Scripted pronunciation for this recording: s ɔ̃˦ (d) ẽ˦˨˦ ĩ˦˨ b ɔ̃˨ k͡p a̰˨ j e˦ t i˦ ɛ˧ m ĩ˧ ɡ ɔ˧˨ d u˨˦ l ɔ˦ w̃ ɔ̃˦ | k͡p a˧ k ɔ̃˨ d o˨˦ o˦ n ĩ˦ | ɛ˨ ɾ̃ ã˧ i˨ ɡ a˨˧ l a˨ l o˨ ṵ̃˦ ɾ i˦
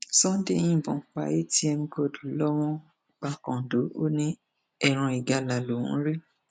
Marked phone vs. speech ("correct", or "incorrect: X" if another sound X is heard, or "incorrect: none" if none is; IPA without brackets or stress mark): correct